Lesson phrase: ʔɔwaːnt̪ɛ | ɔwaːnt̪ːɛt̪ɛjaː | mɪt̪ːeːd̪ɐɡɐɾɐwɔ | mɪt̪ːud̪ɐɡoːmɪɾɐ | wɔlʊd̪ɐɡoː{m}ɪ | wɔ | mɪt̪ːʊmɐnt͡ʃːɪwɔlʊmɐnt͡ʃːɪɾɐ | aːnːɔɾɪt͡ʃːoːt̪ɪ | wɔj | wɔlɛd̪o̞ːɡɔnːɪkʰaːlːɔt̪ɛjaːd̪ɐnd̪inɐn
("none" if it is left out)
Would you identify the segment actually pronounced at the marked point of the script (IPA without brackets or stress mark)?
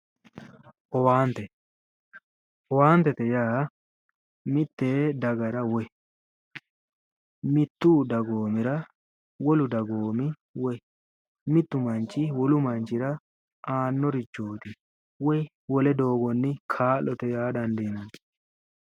m